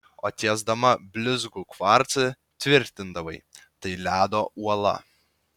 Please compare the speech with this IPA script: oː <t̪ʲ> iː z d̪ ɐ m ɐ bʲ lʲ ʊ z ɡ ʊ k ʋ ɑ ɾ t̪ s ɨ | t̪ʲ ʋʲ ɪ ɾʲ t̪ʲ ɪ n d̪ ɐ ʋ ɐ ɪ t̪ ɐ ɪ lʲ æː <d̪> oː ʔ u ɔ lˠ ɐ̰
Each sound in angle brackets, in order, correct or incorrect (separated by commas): correct, correct